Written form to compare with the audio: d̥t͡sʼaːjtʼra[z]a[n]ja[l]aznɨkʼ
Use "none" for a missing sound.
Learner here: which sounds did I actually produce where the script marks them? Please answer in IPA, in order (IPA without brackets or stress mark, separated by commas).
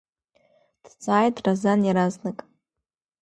z, n, ɾ